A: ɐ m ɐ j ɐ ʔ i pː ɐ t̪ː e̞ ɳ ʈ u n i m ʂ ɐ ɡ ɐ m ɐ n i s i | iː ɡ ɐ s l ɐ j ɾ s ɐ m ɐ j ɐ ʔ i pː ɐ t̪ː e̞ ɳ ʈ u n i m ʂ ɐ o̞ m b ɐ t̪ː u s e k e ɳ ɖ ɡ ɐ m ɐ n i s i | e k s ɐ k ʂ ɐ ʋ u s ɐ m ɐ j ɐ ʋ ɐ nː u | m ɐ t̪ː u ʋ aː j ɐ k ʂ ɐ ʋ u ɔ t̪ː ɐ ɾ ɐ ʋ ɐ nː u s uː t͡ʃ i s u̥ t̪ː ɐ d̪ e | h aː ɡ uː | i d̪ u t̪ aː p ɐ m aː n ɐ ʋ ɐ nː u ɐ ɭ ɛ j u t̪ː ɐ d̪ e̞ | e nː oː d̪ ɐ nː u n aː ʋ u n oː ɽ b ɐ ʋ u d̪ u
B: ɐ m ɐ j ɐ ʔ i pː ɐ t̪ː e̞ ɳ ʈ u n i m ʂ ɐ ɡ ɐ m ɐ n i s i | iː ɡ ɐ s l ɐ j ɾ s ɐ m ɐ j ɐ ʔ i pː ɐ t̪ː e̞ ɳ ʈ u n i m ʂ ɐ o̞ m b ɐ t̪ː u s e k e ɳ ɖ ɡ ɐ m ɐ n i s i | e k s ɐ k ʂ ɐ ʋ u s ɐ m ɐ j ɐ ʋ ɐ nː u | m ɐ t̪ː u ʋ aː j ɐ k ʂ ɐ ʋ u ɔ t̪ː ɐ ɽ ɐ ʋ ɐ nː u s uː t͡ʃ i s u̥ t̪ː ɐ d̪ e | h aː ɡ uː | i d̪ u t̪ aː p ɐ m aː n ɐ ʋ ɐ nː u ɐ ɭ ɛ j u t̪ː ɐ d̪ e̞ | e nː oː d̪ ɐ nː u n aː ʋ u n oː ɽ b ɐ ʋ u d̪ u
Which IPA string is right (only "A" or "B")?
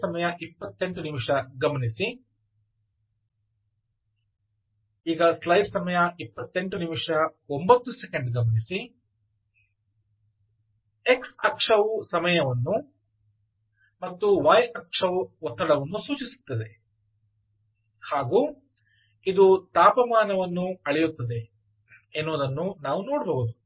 B